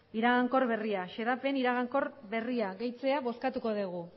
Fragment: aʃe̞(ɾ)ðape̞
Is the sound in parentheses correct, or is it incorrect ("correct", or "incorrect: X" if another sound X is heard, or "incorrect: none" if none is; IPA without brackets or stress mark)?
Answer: incorrect: none